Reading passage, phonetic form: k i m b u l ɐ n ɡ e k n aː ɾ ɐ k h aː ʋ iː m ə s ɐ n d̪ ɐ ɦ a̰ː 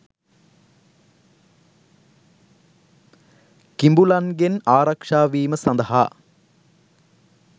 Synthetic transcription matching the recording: k i m b u l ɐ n ɡ e n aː ɾ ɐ k ʂ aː ʋ iː m ə s ɐ n d̪ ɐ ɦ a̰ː